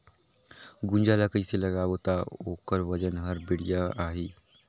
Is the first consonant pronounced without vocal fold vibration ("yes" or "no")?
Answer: no